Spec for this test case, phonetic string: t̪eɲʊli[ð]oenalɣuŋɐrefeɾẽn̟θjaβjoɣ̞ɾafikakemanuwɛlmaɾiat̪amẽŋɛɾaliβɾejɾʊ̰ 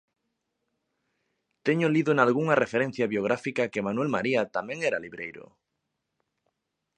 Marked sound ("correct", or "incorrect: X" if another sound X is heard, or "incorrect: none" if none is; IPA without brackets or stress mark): correct